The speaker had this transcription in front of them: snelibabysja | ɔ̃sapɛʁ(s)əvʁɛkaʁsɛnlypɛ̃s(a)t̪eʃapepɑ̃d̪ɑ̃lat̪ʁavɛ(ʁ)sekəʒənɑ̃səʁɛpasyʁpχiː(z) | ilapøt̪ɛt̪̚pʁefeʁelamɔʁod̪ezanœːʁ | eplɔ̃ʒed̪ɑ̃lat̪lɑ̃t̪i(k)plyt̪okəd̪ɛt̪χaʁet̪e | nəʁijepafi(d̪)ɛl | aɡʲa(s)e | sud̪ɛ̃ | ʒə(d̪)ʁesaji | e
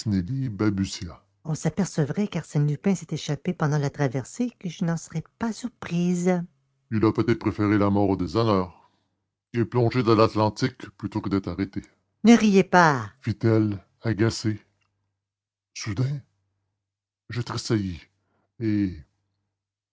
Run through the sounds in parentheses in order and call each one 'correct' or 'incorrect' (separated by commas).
correct, incorrect, correct, correct, correct, incorrect, correct, incorrect